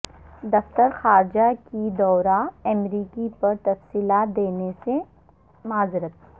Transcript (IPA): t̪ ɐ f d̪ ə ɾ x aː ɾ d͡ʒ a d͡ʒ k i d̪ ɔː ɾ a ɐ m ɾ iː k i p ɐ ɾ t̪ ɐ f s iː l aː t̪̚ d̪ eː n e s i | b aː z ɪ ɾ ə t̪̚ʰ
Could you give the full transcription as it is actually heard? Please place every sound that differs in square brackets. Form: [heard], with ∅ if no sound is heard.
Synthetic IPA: [d̪] ɐ f [t̪] ə ɾ x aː ɾ d͡ʒ a [∅] k i d̪ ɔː ɾ a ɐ m ɾ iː k i p ɐ ɾ t̪ ɐ f s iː l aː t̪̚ d̪ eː n e s [e] | [m] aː z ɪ ɾ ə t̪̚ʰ